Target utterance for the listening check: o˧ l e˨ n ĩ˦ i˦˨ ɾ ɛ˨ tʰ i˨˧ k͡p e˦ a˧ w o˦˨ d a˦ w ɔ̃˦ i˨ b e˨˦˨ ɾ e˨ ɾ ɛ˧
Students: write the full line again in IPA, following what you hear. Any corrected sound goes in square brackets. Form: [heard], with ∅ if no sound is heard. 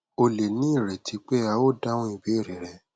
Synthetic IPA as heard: o˧ l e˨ n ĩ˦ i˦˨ ɾ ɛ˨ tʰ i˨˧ k͡p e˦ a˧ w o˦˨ d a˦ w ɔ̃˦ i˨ b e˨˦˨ ɾ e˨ ɾ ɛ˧